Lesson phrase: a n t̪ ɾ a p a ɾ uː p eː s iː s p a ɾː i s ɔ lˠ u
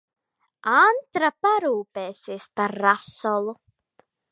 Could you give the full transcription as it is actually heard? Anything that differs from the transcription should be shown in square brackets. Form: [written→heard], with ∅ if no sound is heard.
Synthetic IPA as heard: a n t̪ ɾ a p a ɾ uː p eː s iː s p a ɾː [i→a] s ɔ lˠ u